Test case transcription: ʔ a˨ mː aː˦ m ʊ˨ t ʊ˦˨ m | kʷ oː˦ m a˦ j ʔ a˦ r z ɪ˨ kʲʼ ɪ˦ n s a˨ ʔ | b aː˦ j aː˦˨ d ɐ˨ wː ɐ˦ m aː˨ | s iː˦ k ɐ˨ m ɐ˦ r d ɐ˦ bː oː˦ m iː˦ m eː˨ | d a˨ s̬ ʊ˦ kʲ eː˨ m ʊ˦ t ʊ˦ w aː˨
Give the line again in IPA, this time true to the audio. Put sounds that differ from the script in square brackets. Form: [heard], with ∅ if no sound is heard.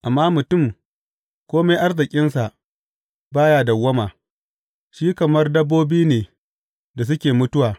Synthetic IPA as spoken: ʔ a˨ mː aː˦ m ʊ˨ t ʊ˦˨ m | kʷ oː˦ m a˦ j ʔ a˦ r z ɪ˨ kʲʼ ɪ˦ n s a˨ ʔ | b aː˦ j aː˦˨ d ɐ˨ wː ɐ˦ m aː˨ | [ʃ] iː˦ k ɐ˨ m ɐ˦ r d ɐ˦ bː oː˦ [b] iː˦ [n] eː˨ | d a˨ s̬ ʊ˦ kʲ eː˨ m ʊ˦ t ʊ˦ w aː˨

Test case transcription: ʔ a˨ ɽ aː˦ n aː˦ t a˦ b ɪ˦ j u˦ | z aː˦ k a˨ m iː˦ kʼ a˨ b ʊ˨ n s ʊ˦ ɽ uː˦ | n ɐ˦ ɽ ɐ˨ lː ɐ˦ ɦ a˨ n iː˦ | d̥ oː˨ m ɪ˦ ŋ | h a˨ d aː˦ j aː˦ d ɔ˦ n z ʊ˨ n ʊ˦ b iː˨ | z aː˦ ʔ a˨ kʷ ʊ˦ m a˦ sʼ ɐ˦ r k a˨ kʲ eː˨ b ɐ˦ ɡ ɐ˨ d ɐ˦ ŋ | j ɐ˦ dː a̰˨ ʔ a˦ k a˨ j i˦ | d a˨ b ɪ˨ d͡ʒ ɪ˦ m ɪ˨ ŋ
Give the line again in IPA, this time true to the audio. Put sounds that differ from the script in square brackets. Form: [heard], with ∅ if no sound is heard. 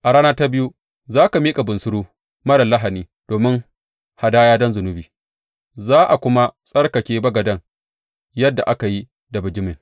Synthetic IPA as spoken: ʔ a˨ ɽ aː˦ n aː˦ t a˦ b ɪ˦ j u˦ | z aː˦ k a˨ m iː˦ kʼ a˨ b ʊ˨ n s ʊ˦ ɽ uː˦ | [m] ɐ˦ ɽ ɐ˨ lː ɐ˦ ɦ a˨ n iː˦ | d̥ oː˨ m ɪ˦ ŋ | h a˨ d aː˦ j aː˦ d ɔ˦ n z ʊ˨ n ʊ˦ b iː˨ | z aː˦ ʔ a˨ kʷ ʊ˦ m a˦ sʼ ɐ˦ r k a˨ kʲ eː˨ b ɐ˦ ɡ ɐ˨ d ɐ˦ ŋ | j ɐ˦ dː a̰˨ ʔ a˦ k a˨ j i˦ | d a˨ b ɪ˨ d͡ʒ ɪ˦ m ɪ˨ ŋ

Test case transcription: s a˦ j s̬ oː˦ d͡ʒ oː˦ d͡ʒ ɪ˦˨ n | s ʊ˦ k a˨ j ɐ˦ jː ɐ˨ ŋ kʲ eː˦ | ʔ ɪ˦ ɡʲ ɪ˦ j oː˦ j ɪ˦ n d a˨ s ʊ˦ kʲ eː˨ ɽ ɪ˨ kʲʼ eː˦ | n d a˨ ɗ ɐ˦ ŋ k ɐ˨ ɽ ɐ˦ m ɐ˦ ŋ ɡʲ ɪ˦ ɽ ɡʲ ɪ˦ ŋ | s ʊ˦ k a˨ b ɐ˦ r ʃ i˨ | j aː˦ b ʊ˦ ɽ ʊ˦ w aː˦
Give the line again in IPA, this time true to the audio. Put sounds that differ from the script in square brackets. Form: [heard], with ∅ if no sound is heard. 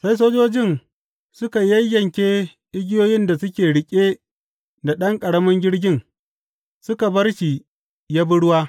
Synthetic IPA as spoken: s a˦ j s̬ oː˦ d͡ʒ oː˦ d͡ʒ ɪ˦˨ n | s ʊ˦ k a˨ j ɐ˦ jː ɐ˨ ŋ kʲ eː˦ | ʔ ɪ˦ ɡʲ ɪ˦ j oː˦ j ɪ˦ n d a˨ s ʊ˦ kʲ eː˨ ɽ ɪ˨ kʲʼ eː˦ | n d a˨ ɗ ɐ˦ ŋ [kʼ] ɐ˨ ɽ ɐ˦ m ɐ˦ ŋ ɡʲ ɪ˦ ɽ ɡʲ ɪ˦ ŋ | s ʊ˦ k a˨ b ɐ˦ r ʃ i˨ | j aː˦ b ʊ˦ ɽ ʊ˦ w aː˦

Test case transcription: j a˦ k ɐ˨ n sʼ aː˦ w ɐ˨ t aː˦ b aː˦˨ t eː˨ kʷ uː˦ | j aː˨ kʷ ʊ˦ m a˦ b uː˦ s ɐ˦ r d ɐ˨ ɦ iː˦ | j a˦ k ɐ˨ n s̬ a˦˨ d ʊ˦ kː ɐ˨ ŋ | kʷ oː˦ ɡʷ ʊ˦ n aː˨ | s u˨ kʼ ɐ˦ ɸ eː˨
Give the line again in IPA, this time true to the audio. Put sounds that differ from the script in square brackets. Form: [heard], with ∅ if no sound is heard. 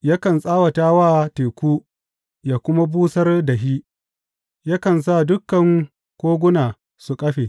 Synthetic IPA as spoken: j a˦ k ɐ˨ n sʼ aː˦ w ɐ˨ t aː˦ [w] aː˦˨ t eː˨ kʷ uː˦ | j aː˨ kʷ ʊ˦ m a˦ b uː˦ s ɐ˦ r d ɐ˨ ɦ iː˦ | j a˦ k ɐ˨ n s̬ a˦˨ d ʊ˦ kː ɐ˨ ŋ | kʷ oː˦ ɡʷ ʊ˦ n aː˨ | s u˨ kʼ ɐ˦ ɸ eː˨

